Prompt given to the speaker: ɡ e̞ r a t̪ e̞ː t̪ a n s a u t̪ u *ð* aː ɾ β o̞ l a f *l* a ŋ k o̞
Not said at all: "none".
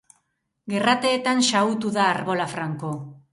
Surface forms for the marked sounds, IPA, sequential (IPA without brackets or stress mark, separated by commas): ð, ɾ